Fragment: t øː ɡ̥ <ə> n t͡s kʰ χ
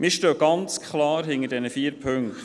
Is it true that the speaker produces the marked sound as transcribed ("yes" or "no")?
no